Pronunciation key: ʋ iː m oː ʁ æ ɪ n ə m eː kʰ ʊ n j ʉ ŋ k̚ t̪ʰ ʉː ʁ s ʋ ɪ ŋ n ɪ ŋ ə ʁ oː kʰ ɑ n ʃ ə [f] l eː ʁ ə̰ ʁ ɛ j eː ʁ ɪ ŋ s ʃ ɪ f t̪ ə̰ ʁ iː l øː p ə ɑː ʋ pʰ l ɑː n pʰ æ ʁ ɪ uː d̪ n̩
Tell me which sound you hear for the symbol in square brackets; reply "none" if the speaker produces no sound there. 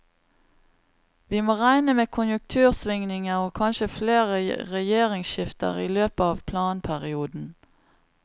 f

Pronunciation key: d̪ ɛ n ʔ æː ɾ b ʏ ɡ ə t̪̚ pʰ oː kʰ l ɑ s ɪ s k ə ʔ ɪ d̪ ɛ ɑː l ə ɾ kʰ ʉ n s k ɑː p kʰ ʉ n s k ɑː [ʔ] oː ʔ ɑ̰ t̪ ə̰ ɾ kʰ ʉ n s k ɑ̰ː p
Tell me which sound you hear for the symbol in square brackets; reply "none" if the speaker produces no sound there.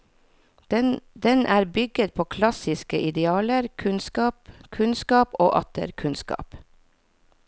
p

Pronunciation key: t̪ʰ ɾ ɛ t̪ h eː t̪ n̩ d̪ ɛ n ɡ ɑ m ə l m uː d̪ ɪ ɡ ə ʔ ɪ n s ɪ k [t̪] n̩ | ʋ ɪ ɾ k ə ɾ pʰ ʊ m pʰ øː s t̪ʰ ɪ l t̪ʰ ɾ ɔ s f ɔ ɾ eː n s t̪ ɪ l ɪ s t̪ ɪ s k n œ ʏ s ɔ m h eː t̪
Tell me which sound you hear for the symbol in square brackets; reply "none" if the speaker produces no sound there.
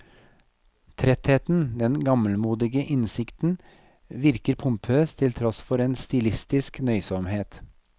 t̪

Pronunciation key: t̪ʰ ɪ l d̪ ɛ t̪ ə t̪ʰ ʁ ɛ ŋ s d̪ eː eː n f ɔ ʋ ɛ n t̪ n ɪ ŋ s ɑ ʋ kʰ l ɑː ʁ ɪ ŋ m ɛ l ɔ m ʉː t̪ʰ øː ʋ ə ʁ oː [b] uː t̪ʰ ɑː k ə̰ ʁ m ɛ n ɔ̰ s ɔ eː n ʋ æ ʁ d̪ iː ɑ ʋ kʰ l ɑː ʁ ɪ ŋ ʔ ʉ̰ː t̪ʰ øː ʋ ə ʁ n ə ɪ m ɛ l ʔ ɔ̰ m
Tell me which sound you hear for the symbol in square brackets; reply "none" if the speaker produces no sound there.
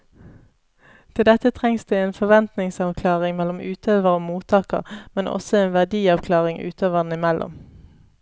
m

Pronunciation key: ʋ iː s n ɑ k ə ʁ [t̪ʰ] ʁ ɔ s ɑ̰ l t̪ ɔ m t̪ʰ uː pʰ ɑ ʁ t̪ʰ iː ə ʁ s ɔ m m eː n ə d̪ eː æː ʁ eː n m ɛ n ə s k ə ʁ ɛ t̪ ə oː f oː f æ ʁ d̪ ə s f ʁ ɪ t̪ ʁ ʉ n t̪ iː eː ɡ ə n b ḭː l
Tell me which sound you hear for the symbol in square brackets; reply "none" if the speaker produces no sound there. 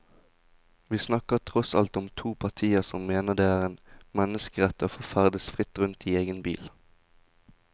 t̪ʰ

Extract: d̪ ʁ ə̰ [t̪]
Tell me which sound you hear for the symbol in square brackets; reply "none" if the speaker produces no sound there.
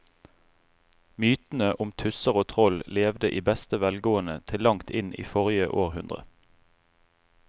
none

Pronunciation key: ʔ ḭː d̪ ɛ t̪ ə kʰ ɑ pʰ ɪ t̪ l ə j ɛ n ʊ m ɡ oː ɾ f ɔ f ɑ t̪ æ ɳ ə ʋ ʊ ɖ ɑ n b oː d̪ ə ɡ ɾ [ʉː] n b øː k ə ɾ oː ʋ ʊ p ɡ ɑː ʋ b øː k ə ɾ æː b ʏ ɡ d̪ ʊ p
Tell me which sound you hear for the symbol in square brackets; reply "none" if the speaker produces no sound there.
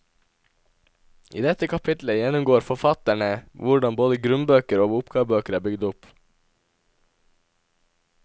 ʉ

